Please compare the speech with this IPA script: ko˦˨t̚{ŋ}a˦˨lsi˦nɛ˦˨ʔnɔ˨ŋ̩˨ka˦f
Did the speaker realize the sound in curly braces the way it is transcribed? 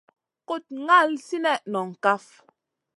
yes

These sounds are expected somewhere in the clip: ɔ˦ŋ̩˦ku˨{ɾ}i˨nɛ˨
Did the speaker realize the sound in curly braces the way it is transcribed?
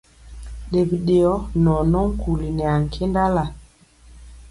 no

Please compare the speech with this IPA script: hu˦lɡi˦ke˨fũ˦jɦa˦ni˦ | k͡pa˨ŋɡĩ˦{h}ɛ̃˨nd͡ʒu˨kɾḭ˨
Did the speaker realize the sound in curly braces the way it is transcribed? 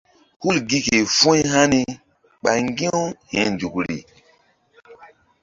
yes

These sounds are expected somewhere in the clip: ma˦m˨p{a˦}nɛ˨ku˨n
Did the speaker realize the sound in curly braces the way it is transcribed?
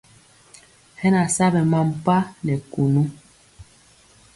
yes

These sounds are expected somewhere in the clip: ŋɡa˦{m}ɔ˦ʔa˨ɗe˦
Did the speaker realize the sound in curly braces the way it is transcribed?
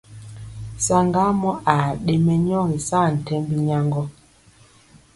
yes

